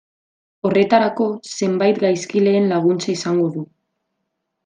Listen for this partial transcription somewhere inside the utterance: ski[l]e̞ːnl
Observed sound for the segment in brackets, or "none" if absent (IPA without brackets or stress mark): l